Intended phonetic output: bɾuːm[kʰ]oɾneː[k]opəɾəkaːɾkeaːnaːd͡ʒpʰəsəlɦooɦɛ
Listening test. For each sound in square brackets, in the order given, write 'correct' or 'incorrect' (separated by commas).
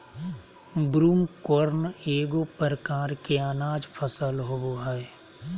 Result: incorrect, incorrect